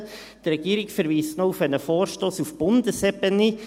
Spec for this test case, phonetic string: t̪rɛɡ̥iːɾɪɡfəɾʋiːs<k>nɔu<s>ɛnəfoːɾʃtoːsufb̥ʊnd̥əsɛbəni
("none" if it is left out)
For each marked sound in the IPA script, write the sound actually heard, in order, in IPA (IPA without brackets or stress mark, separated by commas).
t, f